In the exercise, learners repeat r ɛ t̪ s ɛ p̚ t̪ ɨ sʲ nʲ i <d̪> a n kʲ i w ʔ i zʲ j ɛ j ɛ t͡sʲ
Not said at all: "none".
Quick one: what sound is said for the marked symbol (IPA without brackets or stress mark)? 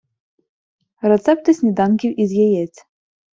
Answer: d̪